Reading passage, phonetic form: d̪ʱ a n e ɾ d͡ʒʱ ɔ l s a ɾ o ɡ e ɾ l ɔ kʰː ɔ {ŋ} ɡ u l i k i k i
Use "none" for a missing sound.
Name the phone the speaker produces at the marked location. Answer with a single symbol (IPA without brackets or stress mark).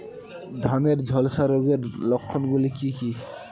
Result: n